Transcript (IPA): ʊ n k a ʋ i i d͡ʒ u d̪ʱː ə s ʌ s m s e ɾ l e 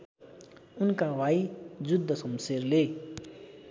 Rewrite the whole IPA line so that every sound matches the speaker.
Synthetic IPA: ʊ n k a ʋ a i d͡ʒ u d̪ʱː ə s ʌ m s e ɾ l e